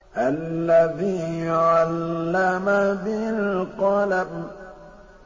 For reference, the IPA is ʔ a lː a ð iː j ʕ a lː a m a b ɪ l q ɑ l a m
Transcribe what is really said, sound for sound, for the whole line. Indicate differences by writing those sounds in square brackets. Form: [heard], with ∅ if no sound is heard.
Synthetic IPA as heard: ʔ a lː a ð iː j ʕ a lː a m a b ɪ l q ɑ l a [b]

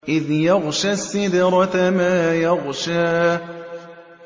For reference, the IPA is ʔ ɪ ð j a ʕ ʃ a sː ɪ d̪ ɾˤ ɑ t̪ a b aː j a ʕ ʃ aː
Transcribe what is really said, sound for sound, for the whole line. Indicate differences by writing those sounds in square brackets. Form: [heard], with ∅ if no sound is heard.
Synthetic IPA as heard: ʔ ɪ ð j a [ɣ] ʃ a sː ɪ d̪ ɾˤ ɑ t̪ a [m] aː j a [ɣ] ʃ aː

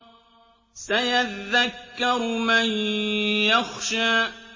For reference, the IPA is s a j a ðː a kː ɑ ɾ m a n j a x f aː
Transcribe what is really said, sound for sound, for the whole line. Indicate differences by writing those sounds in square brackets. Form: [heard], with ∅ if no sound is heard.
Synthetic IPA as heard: s a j a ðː a kː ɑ ɾ m a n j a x [ʃ] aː

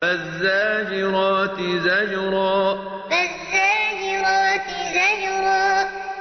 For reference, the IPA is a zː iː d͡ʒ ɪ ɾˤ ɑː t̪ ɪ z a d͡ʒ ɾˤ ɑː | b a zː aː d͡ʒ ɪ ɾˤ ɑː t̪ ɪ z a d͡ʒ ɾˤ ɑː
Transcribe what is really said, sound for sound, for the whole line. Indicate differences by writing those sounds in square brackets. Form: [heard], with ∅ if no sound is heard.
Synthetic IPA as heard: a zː [aː] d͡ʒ ɪ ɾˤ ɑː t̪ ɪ z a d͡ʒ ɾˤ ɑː | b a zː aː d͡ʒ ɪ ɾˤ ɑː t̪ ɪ z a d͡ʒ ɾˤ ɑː

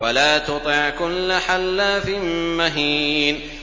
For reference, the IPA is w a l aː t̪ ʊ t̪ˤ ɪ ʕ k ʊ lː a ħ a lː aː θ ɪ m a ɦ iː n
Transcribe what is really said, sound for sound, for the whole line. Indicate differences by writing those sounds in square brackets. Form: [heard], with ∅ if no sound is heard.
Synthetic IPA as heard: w a l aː t̪ ʊ t̪ˤ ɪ ʕ k ʊ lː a ħ a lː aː [f] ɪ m a ɦ iː n

